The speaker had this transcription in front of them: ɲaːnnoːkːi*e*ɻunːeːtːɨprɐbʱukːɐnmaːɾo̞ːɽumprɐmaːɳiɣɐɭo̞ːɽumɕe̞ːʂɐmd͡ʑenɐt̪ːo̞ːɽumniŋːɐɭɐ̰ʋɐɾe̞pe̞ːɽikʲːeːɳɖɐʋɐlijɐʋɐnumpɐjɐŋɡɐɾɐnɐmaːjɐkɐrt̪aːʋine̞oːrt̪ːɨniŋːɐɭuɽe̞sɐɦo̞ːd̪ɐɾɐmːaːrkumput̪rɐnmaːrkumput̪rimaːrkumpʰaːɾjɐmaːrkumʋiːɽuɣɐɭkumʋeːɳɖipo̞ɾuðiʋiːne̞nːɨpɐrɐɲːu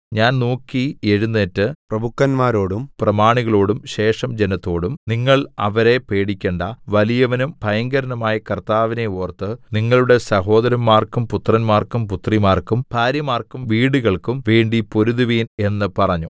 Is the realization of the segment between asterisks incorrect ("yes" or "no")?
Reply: no